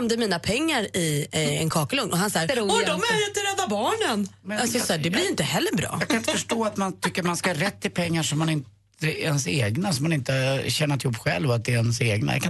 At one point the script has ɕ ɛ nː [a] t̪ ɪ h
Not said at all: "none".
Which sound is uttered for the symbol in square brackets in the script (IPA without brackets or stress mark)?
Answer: a